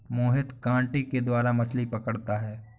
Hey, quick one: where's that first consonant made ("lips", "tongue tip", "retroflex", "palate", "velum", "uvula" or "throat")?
lips